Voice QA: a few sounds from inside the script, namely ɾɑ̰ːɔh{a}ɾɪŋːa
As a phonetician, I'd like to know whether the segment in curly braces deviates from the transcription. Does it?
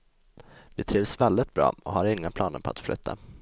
no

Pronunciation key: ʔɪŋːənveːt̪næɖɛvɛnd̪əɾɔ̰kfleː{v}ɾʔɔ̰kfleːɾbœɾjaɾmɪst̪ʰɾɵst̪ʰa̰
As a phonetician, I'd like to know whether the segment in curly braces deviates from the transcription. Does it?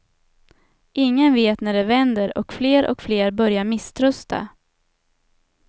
yes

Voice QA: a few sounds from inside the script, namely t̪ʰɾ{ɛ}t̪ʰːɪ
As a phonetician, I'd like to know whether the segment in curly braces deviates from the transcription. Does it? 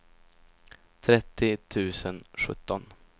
no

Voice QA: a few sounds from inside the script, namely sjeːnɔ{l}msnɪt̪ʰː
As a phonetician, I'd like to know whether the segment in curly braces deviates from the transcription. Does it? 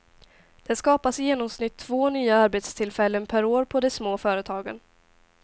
yes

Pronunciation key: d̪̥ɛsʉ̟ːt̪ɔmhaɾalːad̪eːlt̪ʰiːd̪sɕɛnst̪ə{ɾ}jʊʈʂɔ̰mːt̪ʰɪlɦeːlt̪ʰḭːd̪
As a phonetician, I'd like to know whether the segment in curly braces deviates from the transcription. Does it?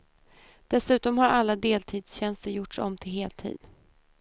no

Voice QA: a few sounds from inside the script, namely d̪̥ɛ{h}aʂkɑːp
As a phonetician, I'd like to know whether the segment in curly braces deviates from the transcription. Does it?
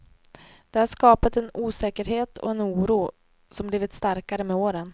no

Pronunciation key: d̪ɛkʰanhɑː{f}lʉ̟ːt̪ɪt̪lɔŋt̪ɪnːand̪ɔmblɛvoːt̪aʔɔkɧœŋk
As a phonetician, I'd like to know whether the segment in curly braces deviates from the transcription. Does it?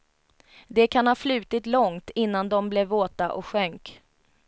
no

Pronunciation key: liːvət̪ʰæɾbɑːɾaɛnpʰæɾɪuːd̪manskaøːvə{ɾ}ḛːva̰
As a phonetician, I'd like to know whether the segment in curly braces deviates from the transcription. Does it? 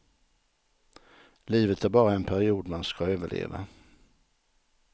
yes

